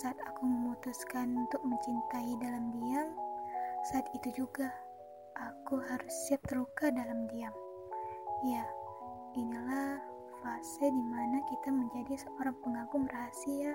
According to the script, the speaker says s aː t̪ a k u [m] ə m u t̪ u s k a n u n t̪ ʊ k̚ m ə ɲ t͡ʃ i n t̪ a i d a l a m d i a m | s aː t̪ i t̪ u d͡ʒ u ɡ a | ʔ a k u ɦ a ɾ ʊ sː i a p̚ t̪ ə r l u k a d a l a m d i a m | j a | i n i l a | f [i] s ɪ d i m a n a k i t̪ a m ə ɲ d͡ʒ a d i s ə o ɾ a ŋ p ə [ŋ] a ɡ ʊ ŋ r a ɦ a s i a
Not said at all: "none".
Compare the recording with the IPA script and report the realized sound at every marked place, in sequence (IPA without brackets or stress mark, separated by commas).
m, a, ŋ